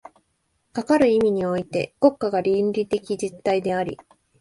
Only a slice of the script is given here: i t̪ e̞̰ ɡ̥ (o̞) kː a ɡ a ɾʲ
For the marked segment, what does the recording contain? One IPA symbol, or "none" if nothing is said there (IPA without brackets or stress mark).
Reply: o̞